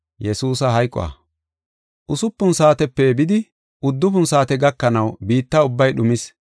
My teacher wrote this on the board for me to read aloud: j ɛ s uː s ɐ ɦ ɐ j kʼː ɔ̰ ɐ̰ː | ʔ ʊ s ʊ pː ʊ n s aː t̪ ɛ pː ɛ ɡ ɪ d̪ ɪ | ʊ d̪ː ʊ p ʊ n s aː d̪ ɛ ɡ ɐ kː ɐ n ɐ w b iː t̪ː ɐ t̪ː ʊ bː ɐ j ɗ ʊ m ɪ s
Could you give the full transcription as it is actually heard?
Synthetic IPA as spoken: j ɛ s uː s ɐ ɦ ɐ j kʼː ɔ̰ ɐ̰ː | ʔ ʊ s ʊ pː ʊ n s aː t̪ ɛ pː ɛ b ɪ d̪ ɪ | ʊ d̪ː ʊ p ʊ n s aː t̪ ɛ ɡ ɐ kː ɐ n ɐ w b iː t̪ː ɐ ʊ bː ɐ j ɗ ʊ m ɪ s